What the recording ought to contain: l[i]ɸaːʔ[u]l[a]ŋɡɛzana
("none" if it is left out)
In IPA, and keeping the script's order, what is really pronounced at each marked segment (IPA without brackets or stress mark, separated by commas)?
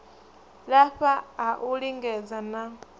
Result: a, u, i